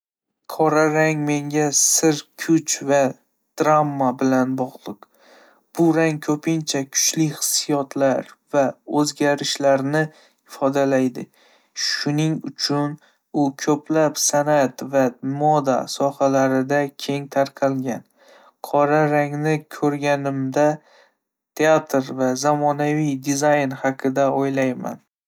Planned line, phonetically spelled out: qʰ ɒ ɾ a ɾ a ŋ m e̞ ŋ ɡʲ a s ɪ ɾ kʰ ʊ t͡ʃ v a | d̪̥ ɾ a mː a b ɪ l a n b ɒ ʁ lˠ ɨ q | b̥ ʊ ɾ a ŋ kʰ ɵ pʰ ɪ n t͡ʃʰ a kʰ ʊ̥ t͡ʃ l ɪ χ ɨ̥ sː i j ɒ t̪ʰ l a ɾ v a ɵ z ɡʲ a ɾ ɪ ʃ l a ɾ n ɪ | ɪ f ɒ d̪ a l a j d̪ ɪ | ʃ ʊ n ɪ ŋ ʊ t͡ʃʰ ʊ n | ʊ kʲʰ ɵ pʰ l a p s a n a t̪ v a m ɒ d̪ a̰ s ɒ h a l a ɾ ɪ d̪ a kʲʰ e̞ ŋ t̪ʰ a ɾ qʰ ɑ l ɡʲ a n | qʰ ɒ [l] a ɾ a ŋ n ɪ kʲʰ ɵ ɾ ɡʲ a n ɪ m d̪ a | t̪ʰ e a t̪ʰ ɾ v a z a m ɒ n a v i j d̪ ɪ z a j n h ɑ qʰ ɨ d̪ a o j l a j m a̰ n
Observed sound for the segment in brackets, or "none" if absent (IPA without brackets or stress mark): ɾ